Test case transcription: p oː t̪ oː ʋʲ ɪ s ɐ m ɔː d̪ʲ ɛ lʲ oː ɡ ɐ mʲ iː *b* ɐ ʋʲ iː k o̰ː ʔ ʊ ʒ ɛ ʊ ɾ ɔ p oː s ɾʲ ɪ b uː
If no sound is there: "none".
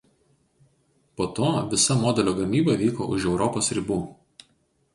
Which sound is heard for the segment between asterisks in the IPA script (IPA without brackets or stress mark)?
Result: b